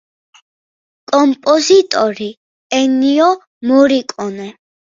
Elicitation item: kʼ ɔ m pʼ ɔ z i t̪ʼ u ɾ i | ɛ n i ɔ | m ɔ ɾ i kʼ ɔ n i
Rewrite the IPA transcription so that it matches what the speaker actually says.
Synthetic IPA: kʼ ɔ m pʼ ɔ z i t̪ʼ ɔ ɾ i | ɛ n i ɔ | m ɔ ɾ i kʼ ɔ n ɛ